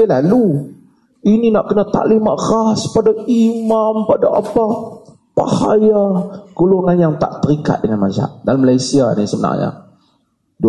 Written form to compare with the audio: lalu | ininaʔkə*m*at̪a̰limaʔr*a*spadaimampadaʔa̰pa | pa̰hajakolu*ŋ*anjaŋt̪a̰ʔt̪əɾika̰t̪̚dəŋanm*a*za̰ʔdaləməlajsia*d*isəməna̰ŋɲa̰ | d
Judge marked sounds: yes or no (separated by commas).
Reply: no, yes, yes, yes, no